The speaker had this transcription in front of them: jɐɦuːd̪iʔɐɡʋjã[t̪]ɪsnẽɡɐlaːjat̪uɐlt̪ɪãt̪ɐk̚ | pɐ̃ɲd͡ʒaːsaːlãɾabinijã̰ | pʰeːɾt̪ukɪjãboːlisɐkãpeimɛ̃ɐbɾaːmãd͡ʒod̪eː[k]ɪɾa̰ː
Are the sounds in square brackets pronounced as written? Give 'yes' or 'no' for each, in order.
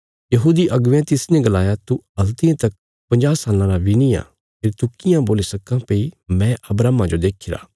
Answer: yes, no

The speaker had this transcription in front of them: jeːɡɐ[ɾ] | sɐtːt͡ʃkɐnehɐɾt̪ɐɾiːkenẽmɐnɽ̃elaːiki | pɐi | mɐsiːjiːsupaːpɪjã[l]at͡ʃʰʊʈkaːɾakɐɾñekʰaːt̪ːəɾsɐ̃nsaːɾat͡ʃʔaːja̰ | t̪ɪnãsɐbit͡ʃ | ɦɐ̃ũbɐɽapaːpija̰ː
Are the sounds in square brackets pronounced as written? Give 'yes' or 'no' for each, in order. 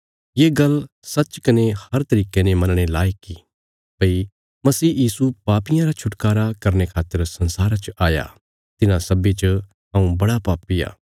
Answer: no, no

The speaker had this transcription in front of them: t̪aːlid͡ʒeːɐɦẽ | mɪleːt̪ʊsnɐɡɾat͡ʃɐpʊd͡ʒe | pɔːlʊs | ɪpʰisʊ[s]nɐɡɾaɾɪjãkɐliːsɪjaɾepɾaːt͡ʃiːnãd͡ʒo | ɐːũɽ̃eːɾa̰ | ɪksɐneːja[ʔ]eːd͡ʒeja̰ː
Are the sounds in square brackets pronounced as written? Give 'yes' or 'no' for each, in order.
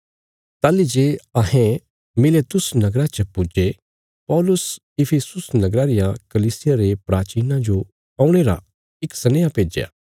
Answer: yes, no

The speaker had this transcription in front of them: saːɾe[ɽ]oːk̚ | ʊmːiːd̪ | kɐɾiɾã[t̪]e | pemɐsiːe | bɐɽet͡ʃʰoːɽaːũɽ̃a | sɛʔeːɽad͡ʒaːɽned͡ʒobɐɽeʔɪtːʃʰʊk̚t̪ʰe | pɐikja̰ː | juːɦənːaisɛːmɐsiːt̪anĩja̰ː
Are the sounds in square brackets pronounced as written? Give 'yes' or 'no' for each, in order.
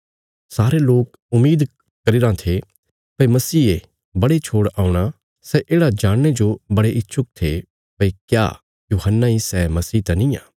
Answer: no, no

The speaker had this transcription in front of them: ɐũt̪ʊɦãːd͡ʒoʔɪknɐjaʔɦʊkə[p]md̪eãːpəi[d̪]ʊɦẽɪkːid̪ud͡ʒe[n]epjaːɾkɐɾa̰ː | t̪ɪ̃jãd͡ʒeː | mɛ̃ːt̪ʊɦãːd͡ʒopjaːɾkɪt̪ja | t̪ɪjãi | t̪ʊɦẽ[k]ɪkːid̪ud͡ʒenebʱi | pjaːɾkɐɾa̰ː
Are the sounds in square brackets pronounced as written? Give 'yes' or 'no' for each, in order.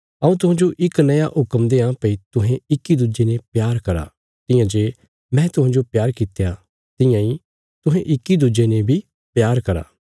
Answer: no, no, yes, no

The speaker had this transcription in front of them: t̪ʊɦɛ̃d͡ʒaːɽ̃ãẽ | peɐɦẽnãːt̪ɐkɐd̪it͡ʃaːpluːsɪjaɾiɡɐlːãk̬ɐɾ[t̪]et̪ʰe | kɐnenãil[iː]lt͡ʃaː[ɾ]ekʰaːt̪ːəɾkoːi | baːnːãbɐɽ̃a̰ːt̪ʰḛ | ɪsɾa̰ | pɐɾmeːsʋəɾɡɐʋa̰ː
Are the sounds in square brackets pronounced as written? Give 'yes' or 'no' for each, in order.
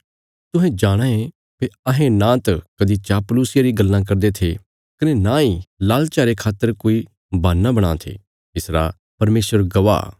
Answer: no, no, yes

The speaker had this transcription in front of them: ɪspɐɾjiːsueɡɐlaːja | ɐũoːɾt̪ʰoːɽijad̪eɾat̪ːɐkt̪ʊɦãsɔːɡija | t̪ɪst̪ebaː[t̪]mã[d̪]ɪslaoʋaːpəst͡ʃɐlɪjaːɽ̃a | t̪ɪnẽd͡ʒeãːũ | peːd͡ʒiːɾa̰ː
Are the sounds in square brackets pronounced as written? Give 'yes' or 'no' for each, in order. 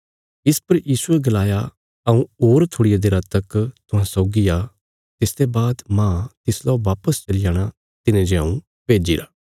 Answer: no, no

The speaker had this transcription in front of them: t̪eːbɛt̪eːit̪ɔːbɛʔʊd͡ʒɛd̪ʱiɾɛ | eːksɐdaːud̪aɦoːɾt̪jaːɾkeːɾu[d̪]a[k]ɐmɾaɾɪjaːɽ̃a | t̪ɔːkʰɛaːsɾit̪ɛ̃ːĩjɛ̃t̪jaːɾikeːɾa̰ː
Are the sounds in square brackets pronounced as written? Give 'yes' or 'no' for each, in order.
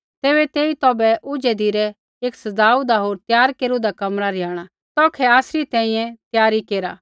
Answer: yes, yes

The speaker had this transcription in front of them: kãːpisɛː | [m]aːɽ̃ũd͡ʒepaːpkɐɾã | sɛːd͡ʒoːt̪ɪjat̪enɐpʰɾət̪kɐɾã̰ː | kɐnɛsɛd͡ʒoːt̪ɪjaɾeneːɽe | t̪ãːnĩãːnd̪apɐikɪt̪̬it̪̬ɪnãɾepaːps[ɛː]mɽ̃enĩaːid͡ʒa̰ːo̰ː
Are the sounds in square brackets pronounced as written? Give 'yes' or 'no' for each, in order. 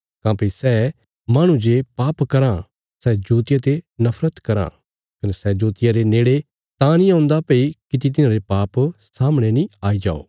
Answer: yes, no

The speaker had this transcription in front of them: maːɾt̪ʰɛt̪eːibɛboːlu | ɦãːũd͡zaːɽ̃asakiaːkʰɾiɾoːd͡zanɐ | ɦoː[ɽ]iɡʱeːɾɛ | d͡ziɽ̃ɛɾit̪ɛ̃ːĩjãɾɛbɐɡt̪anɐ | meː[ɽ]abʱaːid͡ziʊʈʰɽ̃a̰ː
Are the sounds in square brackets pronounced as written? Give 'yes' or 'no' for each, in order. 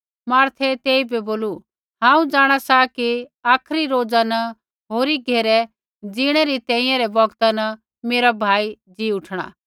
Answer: no, no

